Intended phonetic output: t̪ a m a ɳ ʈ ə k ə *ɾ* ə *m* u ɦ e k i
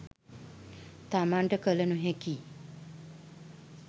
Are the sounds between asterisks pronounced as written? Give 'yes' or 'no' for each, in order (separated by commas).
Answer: no, no